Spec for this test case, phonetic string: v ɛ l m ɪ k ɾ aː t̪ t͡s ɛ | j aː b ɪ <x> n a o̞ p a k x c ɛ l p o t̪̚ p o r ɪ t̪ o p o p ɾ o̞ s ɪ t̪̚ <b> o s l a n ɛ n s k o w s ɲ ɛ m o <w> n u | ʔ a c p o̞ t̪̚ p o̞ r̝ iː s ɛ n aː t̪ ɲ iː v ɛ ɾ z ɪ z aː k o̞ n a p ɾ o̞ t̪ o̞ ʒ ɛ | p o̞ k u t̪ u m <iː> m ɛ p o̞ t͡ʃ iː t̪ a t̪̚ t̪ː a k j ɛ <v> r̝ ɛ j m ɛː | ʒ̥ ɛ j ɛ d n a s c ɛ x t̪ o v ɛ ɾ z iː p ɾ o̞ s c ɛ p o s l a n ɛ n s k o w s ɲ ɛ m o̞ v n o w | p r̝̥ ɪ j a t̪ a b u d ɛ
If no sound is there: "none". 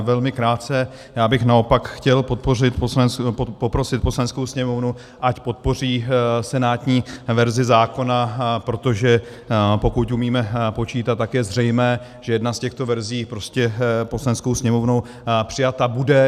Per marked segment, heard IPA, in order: x, p, v, iː, z

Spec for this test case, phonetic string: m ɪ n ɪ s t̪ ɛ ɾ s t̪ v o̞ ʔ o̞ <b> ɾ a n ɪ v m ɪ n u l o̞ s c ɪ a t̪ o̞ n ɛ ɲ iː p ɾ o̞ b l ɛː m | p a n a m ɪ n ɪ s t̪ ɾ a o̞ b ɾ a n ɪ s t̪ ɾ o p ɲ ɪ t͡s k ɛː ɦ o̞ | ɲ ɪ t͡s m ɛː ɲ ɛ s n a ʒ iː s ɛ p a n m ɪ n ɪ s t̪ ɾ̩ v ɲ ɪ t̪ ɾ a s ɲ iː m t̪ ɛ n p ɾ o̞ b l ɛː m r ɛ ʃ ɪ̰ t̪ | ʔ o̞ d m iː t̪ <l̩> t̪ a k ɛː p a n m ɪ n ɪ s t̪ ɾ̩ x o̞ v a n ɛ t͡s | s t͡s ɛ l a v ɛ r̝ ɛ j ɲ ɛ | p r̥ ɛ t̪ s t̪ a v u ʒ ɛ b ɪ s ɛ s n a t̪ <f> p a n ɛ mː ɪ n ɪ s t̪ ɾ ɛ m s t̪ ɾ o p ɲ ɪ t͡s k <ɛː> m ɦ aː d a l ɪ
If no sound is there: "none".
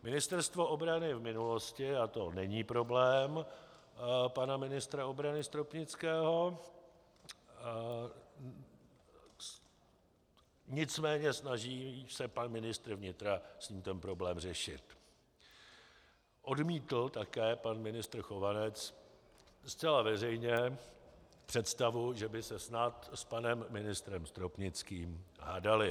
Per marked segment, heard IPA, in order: b, l̩, s, iː

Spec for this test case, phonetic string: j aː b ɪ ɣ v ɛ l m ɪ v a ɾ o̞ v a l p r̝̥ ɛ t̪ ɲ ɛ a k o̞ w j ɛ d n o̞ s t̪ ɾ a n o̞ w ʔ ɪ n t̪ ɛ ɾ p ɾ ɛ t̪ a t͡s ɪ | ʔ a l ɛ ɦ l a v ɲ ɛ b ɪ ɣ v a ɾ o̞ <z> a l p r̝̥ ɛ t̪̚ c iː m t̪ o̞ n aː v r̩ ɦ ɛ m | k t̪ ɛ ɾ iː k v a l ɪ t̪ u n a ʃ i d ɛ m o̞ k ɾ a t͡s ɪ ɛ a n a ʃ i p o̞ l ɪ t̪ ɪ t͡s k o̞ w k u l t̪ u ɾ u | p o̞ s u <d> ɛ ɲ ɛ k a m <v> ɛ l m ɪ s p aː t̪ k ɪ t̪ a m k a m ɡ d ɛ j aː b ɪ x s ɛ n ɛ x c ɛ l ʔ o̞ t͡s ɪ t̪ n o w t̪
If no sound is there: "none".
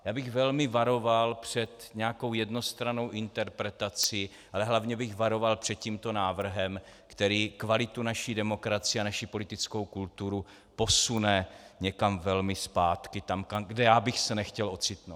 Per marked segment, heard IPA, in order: v, n, v

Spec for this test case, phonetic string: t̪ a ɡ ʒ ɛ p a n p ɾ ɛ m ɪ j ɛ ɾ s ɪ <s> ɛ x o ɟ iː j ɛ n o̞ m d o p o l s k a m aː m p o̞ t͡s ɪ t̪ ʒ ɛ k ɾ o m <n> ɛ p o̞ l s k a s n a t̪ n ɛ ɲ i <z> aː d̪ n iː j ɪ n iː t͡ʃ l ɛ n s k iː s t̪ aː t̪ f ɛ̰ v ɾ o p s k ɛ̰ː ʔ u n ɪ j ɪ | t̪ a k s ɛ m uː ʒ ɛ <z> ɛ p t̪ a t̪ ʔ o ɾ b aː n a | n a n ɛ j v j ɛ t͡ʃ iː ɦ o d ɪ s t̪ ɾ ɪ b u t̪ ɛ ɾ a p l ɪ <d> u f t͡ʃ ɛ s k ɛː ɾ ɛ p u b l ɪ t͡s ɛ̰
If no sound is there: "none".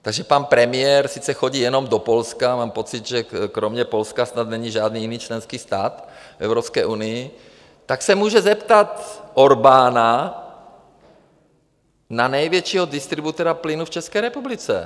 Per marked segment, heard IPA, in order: t͡s, ɲ, ʒ, z, n

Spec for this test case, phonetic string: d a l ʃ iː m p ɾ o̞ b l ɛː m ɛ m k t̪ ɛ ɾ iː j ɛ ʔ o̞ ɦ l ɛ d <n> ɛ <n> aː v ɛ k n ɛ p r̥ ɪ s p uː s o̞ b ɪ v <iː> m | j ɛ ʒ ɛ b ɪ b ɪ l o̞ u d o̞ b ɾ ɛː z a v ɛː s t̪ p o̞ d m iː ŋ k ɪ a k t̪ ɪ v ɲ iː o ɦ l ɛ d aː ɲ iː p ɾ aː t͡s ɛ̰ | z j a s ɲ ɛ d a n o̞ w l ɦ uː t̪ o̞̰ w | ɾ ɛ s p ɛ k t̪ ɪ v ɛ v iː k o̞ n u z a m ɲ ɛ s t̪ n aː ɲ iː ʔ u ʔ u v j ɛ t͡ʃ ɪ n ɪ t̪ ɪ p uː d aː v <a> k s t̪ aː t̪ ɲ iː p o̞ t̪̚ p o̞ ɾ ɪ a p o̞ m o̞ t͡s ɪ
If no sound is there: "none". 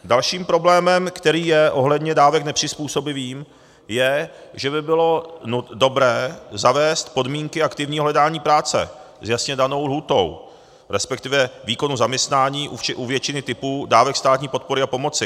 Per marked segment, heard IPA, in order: ɲ, d, iː, ɛ

